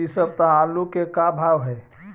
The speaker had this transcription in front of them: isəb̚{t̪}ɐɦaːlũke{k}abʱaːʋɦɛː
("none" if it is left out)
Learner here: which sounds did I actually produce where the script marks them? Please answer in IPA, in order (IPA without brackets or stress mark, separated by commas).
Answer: t̪, k